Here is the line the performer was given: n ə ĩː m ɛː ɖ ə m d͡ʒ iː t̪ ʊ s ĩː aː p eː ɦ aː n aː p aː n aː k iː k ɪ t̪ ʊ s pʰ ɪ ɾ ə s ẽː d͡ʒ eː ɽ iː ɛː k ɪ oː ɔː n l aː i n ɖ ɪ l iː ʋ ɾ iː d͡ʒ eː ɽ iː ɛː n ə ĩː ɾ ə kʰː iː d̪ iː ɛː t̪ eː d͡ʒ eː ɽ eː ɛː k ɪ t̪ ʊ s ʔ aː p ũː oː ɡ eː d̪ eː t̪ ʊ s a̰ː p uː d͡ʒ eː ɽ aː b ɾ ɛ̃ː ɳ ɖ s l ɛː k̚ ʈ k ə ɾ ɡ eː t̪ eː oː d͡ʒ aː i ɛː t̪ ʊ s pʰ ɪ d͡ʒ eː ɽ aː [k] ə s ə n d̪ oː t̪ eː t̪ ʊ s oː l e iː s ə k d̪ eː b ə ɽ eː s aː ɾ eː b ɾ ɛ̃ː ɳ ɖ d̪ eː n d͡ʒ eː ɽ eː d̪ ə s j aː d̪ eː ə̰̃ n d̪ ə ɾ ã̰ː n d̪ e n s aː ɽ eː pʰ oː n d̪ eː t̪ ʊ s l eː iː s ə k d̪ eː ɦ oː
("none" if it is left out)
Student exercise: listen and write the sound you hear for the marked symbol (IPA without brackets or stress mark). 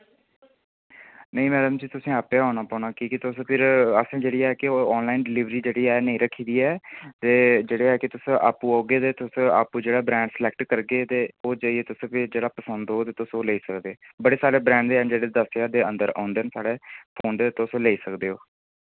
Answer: p